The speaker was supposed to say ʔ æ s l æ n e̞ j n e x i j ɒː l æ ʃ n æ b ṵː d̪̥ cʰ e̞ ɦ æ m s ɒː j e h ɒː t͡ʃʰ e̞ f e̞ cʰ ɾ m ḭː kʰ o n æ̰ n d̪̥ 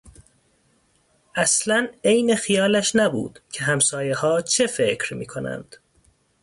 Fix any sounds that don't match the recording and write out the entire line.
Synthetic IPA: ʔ æ s l æ n e̞ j n e x i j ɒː l æ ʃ n æ b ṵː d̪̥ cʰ e̞ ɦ æ m s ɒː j e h ɒː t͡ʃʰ e̞ f e̞ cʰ ɾ m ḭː kʰ o n æ̰ n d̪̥